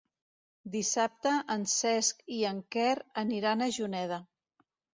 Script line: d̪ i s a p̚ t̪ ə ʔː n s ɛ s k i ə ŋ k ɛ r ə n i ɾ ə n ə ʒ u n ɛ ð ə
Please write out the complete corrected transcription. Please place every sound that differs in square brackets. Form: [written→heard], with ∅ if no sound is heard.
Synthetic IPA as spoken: d̪ i s a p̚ t̪ ə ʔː n s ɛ s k i ə ŋ k ɛ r ə n i ɾ [ə→a] n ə ʒ u n ɛ ð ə